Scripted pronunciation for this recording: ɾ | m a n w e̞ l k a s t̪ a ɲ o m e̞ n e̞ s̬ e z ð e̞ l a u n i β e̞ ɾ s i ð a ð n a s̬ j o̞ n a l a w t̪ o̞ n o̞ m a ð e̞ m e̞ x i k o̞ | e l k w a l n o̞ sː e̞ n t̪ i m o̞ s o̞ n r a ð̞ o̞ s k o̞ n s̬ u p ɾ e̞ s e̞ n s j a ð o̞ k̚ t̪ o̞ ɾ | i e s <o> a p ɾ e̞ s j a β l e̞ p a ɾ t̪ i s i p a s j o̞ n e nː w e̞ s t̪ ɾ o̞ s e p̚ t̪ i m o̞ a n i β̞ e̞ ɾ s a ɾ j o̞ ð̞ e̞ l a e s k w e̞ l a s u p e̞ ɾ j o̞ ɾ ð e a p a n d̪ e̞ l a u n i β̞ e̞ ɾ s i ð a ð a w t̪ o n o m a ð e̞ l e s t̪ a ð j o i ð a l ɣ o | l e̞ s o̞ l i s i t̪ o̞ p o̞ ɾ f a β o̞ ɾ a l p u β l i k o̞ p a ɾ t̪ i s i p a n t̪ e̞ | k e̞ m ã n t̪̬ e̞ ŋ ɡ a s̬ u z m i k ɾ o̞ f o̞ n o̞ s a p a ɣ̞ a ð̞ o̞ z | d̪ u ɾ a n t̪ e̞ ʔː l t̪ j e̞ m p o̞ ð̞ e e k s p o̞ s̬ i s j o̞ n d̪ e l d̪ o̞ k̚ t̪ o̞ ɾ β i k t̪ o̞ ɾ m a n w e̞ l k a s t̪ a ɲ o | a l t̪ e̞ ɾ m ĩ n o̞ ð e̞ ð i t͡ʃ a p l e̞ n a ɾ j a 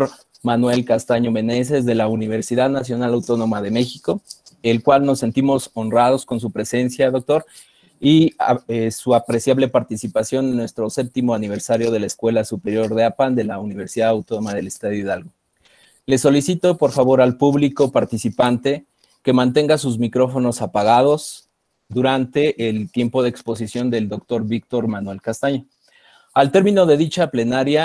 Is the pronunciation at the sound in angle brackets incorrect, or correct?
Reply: incorrect